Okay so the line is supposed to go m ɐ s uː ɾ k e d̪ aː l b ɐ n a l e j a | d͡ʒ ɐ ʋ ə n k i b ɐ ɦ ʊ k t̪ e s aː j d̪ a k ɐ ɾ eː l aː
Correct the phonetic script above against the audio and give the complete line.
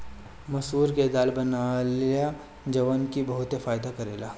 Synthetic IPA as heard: m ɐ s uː ɾ k e d̪ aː l b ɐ n a l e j a | d͡ʒ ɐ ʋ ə n k i b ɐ ɦ ʊ t̪ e f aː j d̪ a k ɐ ɾ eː l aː